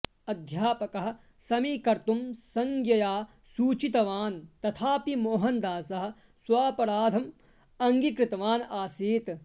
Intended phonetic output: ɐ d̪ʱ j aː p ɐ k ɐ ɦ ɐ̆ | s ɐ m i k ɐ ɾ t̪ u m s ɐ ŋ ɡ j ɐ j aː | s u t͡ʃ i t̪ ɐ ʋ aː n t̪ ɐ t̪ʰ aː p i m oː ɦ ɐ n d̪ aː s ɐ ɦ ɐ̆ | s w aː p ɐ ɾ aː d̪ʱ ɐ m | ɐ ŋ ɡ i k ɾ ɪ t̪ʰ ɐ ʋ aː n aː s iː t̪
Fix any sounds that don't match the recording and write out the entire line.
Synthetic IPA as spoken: ɐ d̪ʱ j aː p ɐ k ɐ ɦ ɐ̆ | s ɐ m i k ɐ ɾ t̪ u m s ɐ ŋ ɡ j ɐ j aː | s uː t͡ʃ i t̪ ɐ ʋ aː n t̪ ɐ t̪ʰ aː p i m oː ɦ ɐ n d̪ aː s ɐ ɦ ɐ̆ | s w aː p ɐ ɾ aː d̪ʱ ɐ m | ɐ ŋ ɡ i k ɾ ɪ t̪ ɐ ʋ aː n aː s iː t̪